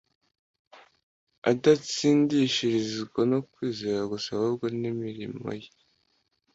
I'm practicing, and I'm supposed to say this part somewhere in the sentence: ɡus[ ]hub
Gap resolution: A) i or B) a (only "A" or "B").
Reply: B